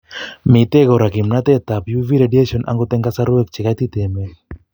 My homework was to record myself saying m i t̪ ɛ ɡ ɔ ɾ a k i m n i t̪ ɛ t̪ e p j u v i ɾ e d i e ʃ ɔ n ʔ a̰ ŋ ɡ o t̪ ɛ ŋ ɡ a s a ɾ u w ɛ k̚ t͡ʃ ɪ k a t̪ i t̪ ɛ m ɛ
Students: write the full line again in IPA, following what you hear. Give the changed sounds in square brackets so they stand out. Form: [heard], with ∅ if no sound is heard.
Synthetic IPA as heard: m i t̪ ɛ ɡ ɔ ɾ a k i m n [a] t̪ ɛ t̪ [a] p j u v i ɾ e d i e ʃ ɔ n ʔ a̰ ŋ ɡ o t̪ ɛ ŋ ɡ a s a ɾ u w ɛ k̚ t͡ʃ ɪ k a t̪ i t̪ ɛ m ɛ